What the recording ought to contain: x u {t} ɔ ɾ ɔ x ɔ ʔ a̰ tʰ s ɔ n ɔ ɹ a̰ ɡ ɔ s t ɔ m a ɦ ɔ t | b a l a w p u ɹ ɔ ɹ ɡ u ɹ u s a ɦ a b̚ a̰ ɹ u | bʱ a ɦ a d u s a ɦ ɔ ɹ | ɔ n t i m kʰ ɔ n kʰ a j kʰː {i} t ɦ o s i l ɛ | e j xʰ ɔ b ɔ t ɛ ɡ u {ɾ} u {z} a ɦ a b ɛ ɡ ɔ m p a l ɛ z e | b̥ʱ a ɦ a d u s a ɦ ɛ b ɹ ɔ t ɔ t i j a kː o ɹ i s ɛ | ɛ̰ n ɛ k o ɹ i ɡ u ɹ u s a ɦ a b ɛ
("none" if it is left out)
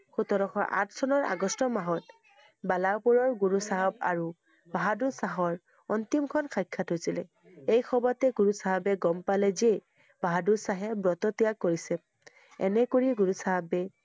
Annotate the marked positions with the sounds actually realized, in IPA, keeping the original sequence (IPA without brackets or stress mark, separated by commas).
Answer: t, a, ɹ, s